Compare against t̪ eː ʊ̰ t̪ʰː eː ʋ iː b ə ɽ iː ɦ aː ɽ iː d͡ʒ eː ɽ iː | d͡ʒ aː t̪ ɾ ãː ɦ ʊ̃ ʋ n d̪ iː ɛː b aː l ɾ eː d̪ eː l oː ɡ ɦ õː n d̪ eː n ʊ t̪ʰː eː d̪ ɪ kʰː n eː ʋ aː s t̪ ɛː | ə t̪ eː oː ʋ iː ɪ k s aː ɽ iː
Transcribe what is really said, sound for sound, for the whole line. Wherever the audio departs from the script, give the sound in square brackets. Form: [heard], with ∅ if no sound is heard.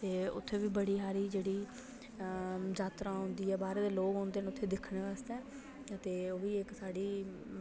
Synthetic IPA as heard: t̪ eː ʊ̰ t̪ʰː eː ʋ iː b ə ɽ iː ɦ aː [ɾ] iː d͡ʒ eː ɽ iː | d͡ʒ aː t̪ ɾ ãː ɦ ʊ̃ [∅] n d̪ iː ɛː b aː [∅] ɾ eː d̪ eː l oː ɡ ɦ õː n d̪ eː n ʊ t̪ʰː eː d̪ ɪ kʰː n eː ʋ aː s t̪ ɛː | ə t̪ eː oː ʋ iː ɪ k s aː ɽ iː